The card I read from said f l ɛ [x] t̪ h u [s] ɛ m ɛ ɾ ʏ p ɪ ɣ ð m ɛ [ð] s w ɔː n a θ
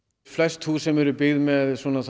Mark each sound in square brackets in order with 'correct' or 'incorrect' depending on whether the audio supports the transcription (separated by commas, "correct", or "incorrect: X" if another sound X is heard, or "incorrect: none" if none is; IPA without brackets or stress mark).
incorrect: s, correct, correct